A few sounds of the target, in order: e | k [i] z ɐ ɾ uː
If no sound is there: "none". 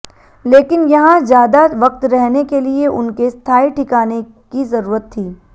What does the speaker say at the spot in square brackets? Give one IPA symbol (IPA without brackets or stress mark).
i